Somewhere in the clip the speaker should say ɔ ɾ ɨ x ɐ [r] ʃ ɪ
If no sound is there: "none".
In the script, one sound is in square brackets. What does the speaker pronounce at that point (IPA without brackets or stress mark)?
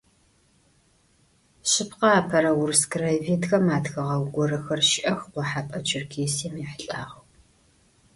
r